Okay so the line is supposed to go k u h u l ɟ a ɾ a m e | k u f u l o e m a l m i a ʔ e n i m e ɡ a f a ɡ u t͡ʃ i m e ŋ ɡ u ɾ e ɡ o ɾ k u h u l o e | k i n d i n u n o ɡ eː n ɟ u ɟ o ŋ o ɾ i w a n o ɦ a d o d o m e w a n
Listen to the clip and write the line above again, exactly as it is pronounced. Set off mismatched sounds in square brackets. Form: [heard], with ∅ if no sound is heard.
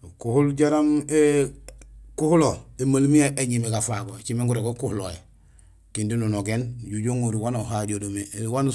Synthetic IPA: k u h u l ɟ a ɾ a m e | k u [h] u l o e m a l m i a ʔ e [ɲ] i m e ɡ a f a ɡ [o] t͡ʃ i m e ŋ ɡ u ɾ e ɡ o [∅] k u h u l o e | k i n d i n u n o ɡ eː n ɟ u ɟ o ŋ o ɾ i w a n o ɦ a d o d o m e w a n